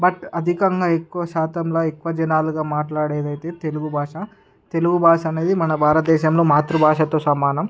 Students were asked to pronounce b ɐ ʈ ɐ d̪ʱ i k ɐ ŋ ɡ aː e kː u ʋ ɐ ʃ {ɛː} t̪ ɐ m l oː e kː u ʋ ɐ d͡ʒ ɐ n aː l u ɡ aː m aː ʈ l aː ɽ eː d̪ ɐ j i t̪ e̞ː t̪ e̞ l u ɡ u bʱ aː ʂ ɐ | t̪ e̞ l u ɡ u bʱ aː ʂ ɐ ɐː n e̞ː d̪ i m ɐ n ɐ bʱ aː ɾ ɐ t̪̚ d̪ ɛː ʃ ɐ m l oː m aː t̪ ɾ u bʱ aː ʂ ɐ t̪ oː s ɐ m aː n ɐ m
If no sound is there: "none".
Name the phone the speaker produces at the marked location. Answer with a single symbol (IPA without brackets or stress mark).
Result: aː